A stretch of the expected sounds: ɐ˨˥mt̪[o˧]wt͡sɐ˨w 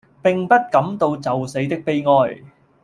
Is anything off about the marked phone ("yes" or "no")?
no